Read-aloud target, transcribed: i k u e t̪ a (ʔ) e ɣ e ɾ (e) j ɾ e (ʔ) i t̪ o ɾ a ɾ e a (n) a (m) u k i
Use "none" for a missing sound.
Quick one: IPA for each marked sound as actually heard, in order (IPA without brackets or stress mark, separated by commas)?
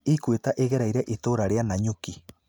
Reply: ʔ, a, ʔ, n, ɲ